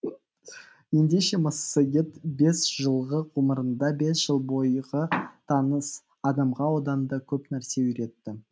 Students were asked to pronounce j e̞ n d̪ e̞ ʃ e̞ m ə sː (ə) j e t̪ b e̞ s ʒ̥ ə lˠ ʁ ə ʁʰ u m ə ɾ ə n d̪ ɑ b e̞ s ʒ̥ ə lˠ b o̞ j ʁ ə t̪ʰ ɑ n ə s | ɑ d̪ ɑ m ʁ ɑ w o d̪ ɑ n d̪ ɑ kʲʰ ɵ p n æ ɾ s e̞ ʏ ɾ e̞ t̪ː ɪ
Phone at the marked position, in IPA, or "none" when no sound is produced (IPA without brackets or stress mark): ə